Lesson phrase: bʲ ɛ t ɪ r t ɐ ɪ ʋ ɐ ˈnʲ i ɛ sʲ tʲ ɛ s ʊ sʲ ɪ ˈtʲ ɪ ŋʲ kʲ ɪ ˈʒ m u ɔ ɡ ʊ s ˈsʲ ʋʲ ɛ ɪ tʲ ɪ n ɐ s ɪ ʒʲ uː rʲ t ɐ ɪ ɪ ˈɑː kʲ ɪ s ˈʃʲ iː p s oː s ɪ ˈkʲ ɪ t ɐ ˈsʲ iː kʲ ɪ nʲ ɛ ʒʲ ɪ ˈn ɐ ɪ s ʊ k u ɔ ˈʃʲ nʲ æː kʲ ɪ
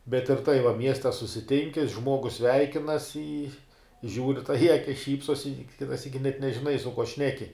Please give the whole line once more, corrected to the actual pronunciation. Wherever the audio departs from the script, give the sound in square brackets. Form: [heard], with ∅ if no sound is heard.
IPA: bʲ ɛ t ɪ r t ɐ ɪ ʋ ɐ [ˈmʲ] i ɛ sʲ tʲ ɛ s ʊ sʲ ɪ ˈtʲ ɪ ŋʲ kʲ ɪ ˈʒ m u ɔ ɡ ʊ s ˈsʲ ʋʲ ɛ ɪ [kʲ] ɪ n ɐ s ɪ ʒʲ uː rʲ t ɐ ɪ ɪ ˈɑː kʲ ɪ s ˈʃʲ iː p s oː s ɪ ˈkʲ ɪ t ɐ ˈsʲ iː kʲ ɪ nʲ ɛ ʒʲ ɪ ˈn ɐ ɪ s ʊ k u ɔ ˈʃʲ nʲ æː kʲ ɪ